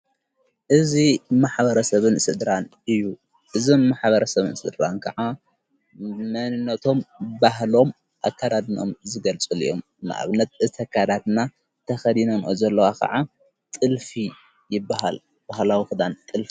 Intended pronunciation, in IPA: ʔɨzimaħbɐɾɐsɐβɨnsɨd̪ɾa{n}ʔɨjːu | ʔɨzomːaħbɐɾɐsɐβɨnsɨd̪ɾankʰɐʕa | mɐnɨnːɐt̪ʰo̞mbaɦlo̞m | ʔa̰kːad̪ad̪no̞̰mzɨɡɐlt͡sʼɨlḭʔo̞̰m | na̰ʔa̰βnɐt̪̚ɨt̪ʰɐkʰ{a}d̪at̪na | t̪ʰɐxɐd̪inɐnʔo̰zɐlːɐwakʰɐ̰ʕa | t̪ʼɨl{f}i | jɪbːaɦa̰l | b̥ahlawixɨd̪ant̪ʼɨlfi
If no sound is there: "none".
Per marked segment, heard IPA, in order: n, a, f

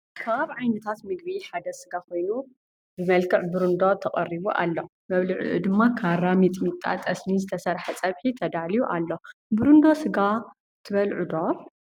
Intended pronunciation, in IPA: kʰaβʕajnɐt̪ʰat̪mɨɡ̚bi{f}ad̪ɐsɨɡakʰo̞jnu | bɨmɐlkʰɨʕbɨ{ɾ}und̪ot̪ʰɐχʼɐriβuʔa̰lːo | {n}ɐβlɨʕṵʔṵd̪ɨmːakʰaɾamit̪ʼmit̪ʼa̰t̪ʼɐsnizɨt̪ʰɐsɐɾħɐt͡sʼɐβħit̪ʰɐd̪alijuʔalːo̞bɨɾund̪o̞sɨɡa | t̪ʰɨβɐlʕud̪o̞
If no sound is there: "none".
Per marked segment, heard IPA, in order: ħ, ɾ, m

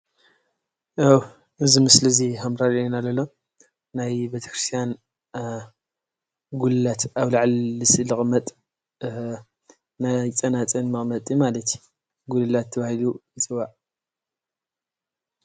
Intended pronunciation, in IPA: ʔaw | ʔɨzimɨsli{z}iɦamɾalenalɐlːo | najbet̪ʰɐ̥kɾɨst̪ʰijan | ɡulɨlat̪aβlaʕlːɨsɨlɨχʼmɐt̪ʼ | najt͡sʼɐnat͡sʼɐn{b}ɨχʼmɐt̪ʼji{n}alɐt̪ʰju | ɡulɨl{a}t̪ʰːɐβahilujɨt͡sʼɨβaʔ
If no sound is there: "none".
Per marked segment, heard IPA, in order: z, m, m, a

